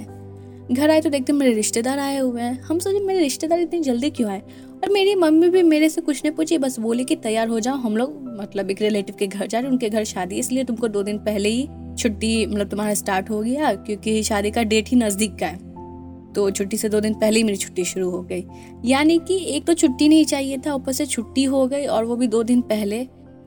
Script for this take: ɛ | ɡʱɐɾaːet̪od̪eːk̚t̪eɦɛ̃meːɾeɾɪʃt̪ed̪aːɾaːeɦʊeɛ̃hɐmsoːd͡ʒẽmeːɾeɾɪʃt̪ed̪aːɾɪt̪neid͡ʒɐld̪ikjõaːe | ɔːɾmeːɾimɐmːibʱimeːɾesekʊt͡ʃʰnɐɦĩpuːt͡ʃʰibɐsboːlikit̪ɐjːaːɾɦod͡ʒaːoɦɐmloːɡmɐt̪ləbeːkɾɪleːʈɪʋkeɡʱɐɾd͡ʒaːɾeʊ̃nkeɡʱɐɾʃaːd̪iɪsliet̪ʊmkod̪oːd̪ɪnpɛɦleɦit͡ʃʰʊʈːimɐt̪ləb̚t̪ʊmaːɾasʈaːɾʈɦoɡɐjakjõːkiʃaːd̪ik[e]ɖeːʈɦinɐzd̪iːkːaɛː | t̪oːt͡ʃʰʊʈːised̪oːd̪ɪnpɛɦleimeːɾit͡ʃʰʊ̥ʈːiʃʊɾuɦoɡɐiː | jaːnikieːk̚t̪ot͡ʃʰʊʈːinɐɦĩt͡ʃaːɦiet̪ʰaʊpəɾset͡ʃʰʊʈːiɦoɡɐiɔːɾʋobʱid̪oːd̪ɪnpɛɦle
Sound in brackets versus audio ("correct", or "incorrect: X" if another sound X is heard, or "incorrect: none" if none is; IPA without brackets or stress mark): incorrect: a